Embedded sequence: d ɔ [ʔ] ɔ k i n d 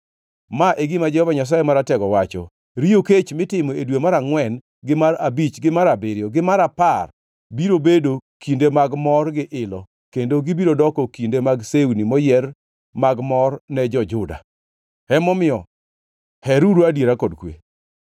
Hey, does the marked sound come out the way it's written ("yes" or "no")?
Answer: no